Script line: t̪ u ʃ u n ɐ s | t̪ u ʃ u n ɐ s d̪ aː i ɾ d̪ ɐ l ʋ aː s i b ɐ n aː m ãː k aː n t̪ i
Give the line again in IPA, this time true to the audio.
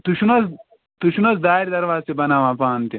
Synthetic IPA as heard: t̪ u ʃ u n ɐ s | t̪ u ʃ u n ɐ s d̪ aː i ɾ d̪ ɐ ɾ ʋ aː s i b ɐ n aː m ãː p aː n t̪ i